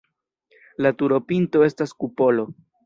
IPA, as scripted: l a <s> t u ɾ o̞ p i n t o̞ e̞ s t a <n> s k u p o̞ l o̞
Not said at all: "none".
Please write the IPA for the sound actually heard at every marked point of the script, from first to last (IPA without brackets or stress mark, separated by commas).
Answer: none, none